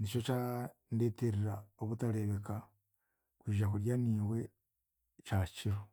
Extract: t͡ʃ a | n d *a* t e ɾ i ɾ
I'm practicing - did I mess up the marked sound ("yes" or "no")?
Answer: yes